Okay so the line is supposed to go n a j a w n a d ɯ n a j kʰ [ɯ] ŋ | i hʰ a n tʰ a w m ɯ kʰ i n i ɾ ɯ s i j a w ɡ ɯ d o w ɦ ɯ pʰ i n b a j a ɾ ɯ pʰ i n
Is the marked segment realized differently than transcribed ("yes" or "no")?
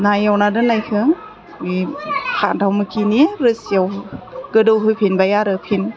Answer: no